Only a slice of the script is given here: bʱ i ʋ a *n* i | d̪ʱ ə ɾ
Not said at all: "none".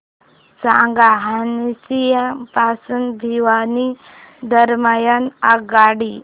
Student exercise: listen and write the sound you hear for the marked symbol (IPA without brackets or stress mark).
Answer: n